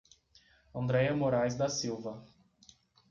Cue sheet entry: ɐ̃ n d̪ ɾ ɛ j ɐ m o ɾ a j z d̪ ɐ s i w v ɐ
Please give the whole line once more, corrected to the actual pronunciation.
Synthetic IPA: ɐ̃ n d̪ ɾ ɛ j ɐ m o ɾ a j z d̪ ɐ s i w v ɐ